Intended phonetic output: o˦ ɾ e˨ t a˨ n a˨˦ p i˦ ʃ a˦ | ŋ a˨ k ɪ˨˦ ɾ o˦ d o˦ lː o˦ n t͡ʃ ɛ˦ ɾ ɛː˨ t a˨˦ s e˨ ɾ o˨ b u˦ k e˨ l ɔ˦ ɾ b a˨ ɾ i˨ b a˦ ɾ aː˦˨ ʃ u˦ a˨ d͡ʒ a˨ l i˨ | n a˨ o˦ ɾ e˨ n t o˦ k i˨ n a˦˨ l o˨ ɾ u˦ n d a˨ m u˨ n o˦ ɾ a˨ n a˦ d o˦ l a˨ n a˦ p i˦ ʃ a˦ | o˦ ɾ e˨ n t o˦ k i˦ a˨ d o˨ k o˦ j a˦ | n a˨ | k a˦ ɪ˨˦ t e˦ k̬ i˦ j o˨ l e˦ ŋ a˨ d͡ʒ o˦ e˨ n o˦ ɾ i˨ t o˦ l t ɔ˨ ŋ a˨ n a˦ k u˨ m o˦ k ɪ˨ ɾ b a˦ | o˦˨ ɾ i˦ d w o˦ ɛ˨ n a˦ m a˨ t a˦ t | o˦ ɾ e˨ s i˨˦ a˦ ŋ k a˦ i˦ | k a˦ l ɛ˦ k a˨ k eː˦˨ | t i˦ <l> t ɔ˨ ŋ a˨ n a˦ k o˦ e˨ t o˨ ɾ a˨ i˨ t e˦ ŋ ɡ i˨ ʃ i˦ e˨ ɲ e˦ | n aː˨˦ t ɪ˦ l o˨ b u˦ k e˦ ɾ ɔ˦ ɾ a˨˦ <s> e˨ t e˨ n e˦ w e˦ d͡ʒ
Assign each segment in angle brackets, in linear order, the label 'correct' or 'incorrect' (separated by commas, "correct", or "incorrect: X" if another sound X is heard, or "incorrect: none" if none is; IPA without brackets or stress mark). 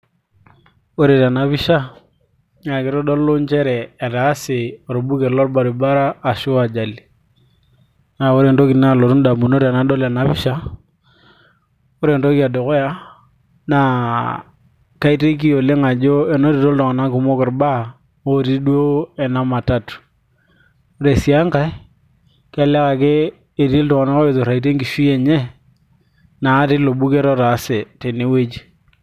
correct, correct